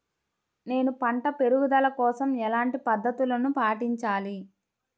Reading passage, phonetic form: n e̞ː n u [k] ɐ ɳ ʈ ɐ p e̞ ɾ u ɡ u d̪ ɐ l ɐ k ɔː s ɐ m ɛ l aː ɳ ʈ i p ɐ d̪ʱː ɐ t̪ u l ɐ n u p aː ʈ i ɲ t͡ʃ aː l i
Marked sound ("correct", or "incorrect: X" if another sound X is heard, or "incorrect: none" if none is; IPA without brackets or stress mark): incorrect: p